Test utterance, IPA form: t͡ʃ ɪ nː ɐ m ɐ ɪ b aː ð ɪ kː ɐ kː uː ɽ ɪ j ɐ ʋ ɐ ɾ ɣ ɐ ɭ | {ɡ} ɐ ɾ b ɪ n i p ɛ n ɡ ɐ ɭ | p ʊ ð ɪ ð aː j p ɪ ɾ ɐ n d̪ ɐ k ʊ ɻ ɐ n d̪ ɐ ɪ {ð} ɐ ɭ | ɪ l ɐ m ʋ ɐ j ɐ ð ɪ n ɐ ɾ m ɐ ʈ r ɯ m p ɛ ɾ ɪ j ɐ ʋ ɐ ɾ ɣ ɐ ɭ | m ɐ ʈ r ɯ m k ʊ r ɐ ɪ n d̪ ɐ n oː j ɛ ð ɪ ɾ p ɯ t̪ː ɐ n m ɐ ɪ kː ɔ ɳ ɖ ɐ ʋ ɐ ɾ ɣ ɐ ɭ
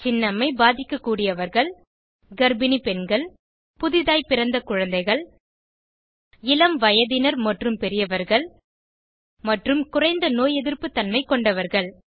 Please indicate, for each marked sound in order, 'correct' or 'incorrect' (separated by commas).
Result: correct, incorrect